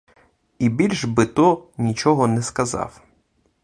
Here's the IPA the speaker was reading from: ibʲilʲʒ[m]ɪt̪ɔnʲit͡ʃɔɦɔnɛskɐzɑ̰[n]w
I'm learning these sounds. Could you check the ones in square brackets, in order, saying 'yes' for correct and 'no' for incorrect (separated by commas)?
no, no